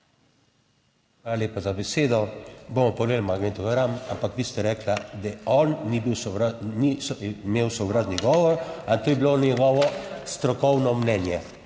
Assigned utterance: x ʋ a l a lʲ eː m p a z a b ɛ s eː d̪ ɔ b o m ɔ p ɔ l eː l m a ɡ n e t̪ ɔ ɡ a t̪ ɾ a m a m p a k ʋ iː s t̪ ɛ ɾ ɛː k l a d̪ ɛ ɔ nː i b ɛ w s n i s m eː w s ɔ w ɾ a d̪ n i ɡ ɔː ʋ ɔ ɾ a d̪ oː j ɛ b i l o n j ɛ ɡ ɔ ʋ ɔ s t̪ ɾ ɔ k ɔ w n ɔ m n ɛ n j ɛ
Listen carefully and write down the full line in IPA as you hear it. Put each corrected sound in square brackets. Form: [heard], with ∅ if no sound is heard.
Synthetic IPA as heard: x ʋ a l a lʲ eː [∅] p a z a b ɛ s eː d̪ ɔ b o m ɔ p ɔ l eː l m a ɡ n e t̪ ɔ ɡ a [∅] ɾ a m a m p a k ʋ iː s t̪ ɛ ɾ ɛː k l a d̪ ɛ ɔ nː i b [i] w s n i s m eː w s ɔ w ɾ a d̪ n i ɡ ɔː ʋ ɔ ɾ a [t̪] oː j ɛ b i l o n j ɛ ɡ ɔ ʋ ɔ s t̪ ɾ ɔ k ɔ w n ɔ m n ɛ n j ɛ